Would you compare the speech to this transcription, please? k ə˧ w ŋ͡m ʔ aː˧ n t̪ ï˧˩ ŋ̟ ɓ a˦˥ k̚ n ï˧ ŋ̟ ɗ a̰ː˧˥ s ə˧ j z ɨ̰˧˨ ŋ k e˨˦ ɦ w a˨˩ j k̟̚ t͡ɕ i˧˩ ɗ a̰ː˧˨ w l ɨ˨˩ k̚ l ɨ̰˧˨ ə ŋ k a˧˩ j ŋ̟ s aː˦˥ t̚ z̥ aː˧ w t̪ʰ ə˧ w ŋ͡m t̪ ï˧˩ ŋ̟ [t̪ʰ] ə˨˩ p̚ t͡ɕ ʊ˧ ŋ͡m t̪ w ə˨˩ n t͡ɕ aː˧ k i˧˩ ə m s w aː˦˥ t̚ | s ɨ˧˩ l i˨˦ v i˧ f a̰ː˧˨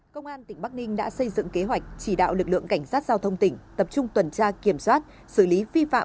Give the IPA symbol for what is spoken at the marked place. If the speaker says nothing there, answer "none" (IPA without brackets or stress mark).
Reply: t̪